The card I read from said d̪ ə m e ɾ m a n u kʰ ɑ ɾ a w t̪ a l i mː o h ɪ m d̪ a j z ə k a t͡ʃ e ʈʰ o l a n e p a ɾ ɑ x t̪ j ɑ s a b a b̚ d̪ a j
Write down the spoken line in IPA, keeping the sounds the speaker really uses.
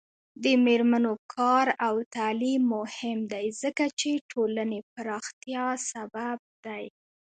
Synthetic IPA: d̪ ə m e ɾ m a n o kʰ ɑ ɾ a w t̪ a l i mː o h ɪ m d̪ a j z ə k a t͡ʃ e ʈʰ o l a n e p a ɾ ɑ x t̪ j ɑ s a b a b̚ d̪ a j